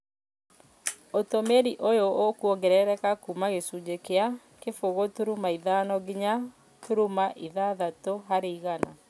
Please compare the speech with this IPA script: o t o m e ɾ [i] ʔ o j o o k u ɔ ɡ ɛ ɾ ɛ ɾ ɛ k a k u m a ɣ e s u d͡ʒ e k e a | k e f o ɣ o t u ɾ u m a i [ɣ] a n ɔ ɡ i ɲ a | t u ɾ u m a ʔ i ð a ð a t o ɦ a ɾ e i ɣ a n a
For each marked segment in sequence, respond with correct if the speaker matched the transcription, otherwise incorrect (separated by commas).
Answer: correct, incorrect